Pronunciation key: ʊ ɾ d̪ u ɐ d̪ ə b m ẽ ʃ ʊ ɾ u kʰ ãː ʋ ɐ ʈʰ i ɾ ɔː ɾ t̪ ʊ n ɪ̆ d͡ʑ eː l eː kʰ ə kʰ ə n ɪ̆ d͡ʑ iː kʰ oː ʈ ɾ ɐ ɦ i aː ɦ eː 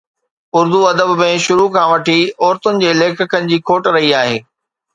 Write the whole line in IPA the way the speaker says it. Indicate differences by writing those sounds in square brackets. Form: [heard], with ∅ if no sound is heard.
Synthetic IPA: ʊ ɾ d̪ u ɐ d̪ ə b m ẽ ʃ ʊ ɾ u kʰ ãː ʋ ɐ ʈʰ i [∅] ɔː ɾ t̪ ʊ n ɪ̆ d͡ʑ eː l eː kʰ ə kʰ ə n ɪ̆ d͡ʑ iː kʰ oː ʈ ɾ ɐ ɦ i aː ɦ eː